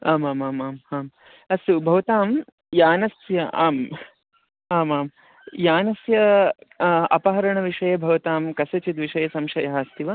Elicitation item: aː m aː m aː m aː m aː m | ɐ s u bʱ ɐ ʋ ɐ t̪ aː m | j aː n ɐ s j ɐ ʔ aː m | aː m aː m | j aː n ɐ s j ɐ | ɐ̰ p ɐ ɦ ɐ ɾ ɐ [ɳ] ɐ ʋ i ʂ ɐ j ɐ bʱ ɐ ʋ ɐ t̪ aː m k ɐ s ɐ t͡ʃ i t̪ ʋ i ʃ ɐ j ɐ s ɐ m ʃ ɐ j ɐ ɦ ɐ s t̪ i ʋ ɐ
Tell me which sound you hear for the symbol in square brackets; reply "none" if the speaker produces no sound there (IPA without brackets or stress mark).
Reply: ɳ